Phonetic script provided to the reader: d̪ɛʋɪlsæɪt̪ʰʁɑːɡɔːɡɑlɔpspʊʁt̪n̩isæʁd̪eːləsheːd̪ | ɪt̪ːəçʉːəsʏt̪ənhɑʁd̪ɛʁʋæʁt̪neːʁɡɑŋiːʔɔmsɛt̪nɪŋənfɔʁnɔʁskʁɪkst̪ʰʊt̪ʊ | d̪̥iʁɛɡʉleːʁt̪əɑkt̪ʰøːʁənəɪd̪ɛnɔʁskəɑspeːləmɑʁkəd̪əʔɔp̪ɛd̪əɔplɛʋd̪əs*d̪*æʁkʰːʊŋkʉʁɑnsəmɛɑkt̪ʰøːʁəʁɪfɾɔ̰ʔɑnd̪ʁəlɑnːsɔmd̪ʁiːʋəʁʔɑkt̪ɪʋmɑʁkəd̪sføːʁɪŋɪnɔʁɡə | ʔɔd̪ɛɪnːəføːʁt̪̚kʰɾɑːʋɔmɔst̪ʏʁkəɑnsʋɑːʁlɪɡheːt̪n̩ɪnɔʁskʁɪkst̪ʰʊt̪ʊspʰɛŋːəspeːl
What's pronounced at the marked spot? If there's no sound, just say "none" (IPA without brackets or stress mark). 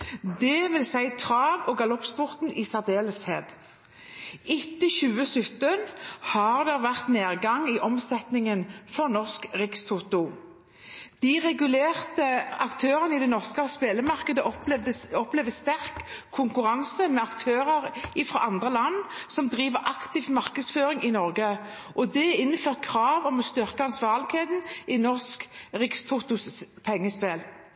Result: t̪